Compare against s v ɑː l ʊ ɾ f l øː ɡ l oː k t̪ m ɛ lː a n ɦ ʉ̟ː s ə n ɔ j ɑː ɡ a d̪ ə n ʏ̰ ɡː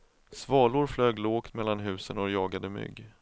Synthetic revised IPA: s v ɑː l ʊ ɾ f l øː ɡ l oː k t̪ m ɛ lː a n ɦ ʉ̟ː s ə n ɔ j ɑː ɡ a d̪ ə m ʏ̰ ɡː